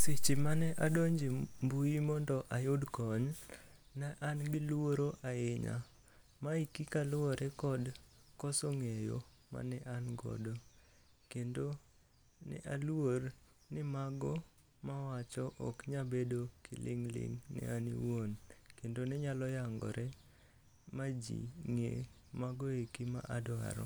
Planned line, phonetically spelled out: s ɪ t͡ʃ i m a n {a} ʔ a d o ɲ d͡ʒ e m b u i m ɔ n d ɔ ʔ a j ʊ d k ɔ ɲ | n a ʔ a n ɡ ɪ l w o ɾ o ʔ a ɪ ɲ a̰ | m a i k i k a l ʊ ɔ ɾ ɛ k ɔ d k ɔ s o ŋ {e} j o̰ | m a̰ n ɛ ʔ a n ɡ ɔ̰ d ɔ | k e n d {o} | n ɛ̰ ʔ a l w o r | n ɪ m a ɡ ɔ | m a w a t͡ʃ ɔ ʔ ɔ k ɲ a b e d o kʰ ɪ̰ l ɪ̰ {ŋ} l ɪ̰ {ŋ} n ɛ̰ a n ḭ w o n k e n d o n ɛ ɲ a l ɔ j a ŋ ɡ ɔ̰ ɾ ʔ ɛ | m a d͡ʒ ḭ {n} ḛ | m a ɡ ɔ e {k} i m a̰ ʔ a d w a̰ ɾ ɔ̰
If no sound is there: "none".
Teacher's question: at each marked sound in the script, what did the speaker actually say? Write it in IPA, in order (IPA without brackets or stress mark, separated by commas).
ɛ, e, o, ŋ, ŋ, ŋ, k